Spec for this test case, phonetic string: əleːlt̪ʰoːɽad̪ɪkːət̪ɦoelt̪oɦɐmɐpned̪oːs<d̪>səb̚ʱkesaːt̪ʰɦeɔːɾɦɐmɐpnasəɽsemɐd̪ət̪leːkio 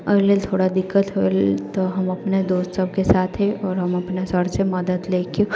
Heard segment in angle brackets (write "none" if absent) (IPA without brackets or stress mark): t̪